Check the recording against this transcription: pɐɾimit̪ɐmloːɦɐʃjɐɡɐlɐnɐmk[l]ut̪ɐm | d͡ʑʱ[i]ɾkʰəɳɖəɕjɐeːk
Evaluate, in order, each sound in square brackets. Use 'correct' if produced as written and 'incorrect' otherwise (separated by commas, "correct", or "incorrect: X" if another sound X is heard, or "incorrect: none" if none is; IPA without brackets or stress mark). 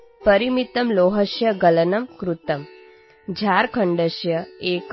incorrect: ɾ, incorrect: a